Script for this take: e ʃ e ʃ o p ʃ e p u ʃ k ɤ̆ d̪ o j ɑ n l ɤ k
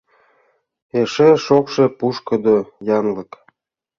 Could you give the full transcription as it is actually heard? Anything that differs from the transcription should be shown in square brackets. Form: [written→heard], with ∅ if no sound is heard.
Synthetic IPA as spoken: e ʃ e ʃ o [p→k] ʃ e p u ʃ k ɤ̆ d̪ o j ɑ n l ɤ k